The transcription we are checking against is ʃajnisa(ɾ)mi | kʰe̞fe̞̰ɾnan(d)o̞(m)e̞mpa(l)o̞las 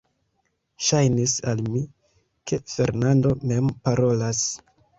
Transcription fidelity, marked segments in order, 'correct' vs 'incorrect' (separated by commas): incorrect, correct, correct, incorrect